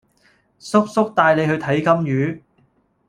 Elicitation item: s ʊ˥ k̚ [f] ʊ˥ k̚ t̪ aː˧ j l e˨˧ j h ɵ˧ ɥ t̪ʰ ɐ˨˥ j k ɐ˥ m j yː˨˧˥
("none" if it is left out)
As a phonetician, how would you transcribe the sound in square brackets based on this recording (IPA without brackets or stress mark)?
s